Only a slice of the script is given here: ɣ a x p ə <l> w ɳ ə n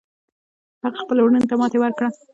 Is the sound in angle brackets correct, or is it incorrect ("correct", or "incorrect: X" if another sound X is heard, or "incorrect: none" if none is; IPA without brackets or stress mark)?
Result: correct